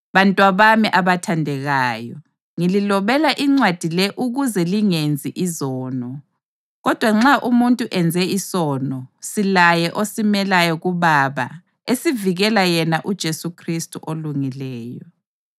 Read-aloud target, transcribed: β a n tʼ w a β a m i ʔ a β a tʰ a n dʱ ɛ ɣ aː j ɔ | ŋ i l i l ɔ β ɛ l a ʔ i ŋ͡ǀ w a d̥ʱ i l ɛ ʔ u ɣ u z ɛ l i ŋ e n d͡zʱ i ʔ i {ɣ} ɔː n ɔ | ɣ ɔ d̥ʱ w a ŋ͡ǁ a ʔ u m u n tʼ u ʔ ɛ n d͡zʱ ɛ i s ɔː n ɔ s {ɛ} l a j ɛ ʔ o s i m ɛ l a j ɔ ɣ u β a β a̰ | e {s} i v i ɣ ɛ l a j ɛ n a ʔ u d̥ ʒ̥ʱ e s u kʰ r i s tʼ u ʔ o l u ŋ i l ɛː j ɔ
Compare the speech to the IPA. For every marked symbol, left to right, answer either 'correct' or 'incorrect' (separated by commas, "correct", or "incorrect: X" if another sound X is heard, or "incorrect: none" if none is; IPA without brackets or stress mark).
incorrect: z, incorrect: i, correct